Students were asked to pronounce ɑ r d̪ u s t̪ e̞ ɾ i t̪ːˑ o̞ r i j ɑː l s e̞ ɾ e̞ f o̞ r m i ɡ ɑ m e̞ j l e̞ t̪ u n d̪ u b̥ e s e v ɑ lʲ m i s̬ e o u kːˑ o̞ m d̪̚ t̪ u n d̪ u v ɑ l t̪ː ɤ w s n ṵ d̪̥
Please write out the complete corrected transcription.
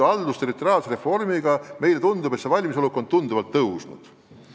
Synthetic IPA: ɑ l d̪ u s t̪ e̞ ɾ i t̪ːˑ o̞ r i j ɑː l s e̞ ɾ e̞ f o̞ r m i ɡ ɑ m e̞ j l e̞ t̪ u n d̪ u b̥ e s e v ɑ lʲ m i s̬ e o u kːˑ o̞ n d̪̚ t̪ u n d̪ u v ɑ l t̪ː ɤ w s n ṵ d̪̥